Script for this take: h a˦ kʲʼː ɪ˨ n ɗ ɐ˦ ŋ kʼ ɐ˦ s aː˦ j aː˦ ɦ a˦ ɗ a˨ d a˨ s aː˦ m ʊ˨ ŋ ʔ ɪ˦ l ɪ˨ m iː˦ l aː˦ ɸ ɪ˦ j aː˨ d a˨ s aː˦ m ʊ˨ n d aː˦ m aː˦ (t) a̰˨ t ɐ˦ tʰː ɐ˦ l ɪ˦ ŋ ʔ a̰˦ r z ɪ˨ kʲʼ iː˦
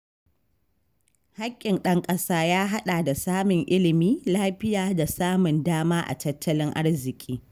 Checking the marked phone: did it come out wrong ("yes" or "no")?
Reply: yes